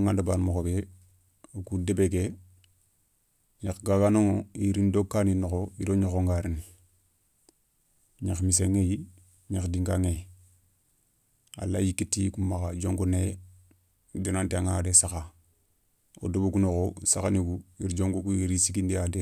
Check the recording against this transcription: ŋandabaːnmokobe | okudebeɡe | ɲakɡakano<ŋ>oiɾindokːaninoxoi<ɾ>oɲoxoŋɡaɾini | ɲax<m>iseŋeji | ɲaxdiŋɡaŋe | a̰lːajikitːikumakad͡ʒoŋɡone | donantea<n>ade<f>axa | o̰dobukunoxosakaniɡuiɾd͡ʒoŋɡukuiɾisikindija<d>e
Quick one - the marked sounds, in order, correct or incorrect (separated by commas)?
correct, correct, correct, incorrect, incorrect, correct